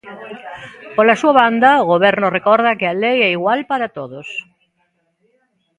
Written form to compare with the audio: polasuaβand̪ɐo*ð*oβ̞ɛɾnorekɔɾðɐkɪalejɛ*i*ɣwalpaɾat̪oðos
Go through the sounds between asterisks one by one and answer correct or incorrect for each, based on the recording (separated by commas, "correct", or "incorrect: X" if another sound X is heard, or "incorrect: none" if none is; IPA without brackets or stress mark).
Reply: incorrect: ɣ, correct